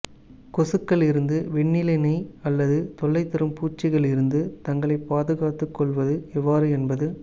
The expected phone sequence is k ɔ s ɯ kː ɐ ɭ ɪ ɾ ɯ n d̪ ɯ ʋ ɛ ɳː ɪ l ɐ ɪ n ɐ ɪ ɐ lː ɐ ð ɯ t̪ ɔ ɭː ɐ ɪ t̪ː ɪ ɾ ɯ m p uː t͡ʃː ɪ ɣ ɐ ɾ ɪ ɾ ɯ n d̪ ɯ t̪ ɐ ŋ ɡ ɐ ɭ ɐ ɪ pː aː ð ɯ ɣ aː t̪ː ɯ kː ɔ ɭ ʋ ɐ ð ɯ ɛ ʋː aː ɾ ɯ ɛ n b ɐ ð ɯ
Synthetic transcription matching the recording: k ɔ s ɯ kː ɐ ɭ ɪ ɾ ɯ n d̪ ɯ ʋ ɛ ɳː ɪ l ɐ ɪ n ɐ ɪ ɐ lː ɐ ð ɯ t̪ ɔ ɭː ɐ ɪ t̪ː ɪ ɾ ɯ m p uː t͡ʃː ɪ ɣ ɐ ɭ ɪ ɾ ɯ n d̪ ɯ t̪ ɐ ŋ ɡ ɐ ɭ ɐ ɪ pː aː ð ɯ ɣ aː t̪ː ɯ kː ɔ ɭ ʋ ɐ ð ɯ ɛ ʋː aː ɾ ɯ ɛ n b ɐ ð ɯ